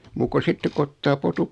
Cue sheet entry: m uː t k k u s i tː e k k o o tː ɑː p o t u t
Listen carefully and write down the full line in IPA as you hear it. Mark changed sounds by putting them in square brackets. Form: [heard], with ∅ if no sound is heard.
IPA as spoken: m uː [∅] k k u s i tː e k k [u] o tː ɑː p o t u [p]